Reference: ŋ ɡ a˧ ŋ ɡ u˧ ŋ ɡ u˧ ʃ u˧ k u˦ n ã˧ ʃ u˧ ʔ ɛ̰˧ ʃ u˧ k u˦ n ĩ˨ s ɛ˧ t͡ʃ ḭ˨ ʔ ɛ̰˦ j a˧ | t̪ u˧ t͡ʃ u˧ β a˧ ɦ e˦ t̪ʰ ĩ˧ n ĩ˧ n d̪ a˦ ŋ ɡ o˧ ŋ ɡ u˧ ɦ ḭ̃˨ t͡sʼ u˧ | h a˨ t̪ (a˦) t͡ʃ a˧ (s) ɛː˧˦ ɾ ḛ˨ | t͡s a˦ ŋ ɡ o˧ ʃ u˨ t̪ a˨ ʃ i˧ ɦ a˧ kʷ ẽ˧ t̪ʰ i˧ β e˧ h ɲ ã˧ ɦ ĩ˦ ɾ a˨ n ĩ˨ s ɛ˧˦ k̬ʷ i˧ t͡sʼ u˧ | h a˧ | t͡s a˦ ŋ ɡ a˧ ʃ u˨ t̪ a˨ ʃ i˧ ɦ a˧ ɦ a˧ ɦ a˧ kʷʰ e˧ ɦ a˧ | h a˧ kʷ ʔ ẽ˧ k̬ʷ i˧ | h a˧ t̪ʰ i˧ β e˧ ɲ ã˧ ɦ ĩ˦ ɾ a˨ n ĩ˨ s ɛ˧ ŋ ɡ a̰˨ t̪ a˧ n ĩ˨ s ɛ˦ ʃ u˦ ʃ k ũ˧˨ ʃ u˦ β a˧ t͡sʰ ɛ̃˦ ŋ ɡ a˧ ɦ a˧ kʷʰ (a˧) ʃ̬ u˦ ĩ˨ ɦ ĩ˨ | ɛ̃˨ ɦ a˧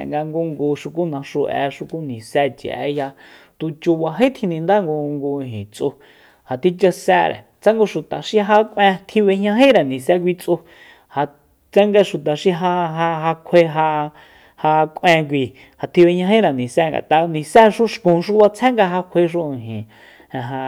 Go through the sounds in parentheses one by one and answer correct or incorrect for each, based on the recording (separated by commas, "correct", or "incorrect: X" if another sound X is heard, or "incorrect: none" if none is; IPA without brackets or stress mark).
incorrect: i˦, correct, incorrect: e˧